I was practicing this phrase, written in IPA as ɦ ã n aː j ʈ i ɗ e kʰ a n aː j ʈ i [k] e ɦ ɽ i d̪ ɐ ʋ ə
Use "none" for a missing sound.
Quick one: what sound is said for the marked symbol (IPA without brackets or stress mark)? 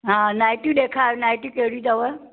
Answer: k